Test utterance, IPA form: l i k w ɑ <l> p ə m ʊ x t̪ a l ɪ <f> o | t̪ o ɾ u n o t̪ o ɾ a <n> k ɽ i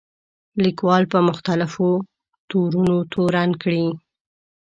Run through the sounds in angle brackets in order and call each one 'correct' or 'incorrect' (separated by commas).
correct, correct, correct